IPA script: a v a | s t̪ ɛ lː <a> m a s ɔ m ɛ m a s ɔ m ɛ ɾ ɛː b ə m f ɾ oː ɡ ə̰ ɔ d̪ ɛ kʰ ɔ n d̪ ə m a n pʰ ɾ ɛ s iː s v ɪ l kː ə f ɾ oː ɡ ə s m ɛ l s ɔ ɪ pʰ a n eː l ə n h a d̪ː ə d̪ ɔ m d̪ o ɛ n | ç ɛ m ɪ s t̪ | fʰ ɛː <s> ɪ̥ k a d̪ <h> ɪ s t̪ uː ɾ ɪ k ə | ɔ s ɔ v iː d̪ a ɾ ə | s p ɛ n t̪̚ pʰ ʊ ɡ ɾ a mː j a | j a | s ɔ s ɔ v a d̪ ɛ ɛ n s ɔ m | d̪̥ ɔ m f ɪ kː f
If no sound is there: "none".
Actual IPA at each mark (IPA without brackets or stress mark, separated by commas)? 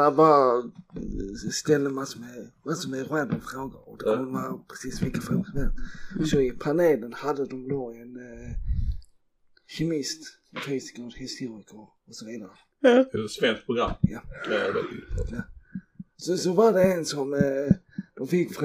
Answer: ə, s, h